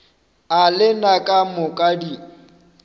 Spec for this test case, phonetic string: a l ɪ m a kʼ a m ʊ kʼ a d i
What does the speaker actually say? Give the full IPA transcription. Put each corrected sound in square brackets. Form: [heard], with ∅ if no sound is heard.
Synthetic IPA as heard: a l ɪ [n] a kʼ a m ʊ kʼ a d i